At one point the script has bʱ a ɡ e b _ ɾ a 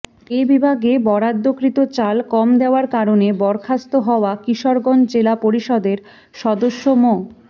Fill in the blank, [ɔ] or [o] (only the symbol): ɔ